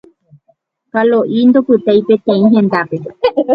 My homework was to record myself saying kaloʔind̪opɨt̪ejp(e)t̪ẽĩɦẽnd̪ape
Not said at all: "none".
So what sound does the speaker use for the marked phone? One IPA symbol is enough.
e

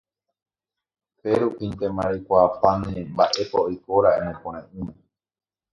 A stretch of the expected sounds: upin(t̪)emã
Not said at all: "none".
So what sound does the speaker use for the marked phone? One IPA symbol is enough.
t̪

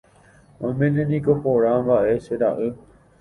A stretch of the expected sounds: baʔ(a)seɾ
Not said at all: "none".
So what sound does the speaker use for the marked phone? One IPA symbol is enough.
e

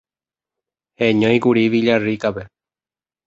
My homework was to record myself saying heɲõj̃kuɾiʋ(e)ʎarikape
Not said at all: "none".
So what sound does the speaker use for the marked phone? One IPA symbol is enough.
i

